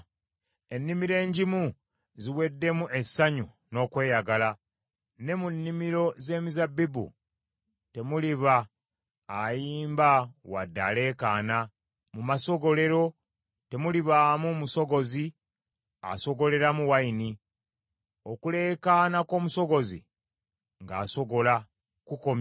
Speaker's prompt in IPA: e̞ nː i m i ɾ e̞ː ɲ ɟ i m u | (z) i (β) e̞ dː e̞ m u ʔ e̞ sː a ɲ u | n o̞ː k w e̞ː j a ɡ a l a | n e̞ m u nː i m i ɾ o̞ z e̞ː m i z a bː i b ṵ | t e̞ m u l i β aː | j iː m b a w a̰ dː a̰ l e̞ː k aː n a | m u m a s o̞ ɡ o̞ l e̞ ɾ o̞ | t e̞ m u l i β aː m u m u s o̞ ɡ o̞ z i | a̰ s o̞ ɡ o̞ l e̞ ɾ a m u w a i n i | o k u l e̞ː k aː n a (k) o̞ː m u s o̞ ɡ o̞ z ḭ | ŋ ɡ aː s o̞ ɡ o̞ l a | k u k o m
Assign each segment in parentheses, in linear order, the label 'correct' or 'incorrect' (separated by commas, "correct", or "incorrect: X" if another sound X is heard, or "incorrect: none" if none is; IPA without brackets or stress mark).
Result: correct, incorrect: w, correct